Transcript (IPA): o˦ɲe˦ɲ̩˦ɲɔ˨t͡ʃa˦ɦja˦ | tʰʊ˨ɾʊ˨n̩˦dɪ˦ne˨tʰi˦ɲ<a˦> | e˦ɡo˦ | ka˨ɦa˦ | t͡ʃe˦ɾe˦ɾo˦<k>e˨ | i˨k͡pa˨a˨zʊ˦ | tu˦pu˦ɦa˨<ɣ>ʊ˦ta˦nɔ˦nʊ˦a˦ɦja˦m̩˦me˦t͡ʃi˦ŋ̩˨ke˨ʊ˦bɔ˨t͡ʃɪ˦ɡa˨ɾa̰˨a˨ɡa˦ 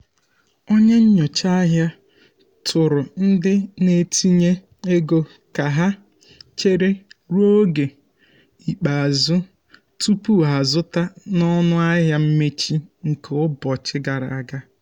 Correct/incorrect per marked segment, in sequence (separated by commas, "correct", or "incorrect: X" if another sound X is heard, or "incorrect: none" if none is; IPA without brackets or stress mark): incorrect: e˦, incorrect: ɡ, incorrect: z